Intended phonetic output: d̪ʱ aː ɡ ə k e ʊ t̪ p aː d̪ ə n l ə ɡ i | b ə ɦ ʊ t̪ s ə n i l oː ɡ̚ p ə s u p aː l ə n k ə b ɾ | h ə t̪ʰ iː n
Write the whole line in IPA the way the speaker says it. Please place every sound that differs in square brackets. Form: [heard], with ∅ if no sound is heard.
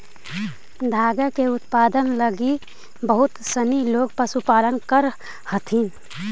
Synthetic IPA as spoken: d̪ʱ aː ɡ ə k e ʊ t̪ p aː d̪ ə n l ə ɡ i | b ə ɦ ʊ t̪ s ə n i l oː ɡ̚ p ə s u p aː l ə n k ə [∅] ɾ | h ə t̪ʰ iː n